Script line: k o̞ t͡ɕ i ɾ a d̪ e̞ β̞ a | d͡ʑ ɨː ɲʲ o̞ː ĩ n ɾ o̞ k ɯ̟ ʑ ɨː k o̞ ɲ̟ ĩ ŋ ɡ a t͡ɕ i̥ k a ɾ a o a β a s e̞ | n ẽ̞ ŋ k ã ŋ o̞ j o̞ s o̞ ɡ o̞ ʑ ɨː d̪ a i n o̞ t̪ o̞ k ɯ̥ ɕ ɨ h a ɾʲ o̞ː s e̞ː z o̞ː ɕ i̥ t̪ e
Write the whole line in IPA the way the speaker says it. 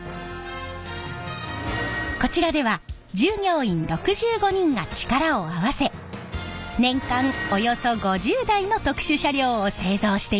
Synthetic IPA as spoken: k o̞ t͡ɕ i ɾ a d̪ e̞ β̞ a | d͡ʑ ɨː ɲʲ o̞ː ĩ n ɾ o̞ k ɯ̟ ʑ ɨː ɡ o̞ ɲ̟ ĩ ŋ ɡ a t͡ɕ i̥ k a ɾ a o a β a s e̞ | n ẽ̞ ŋ k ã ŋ o̞ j o̞ s o̞ ɡ o̞ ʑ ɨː d̪ a i n o̞ t̪ o̞ k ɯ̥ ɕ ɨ ɕ a ɾʲ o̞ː s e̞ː z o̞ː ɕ i̥ t̪ e